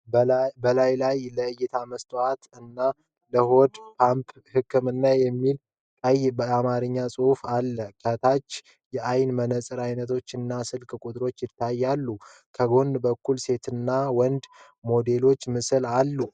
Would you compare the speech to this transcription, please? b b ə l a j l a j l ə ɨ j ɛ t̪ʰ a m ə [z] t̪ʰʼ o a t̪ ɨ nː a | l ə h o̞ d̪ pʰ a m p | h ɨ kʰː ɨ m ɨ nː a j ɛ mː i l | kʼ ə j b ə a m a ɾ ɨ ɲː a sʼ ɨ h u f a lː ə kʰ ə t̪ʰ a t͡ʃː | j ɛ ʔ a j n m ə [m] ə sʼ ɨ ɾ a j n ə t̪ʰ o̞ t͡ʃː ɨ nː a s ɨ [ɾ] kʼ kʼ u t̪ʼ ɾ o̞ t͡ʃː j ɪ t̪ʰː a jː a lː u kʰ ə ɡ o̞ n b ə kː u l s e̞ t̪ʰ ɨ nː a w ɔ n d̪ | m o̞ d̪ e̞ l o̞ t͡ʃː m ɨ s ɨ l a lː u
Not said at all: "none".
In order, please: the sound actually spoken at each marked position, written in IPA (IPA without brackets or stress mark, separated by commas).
s, n, l